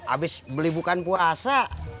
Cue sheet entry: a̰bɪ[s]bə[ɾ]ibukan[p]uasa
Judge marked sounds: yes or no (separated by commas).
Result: yes, no, yes